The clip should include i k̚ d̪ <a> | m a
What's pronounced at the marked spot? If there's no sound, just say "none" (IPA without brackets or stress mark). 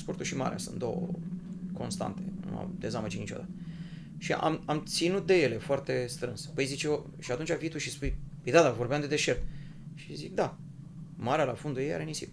a